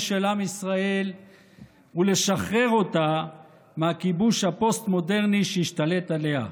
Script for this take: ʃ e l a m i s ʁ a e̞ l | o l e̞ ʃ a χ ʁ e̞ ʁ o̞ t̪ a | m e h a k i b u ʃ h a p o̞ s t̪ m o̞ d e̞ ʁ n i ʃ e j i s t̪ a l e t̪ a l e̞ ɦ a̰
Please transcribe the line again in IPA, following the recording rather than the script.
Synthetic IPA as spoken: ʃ e l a m i s ʁ a e̞ l | u l e̞ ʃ a χ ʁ e̞ ʁ o̞ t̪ a | m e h a k i b u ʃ h a p o̞ s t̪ m o̞ d e̞ ʁ n i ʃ e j i ʃ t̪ a l e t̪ a l e̞ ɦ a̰